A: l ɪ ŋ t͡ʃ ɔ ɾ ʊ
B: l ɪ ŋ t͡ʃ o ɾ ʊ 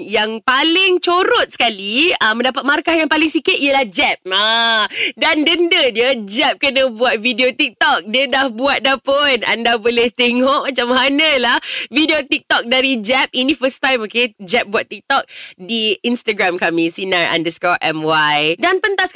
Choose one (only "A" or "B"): B